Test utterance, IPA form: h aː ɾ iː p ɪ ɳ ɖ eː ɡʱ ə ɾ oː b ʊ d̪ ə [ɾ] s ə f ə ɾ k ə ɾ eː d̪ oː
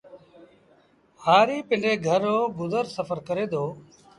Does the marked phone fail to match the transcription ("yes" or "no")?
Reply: no